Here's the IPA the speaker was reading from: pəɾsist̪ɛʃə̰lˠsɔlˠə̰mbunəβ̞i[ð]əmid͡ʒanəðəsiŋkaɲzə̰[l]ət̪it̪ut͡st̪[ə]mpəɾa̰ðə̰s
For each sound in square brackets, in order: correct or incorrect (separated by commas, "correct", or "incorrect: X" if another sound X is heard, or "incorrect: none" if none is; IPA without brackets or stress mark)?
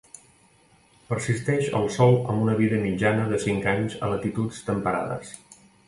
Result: correct, correct, correct